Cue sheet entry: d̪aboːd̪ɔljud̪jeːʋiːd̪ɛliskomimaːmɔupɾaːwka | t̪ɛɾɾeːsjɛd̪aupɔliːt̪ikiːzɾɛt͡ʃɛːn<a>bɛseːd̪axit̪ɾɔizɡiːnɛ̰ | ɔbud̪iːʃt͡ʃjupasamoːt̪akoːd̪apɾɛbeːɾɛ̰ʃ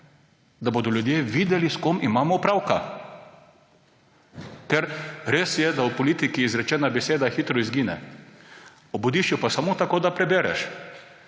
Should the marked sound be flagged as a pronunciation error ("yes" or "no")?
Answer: no